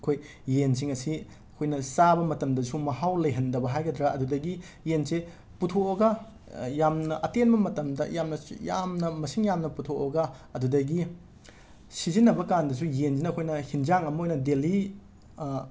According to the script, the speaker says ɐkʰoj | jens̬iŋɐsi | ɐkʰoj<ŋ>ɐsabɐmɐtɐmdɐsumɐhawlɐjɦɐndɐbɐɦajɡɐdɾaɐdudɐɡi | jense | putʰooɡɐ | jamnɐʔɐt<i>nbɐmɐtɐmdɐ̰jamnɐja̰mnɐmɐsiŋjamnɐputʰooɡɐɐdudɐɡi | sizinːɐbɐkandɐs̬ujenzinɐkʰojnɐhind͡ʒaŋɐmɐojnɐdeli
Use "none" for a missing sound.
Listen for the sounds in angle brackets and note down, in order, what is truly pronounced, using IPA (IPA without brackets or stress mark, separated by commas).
n, e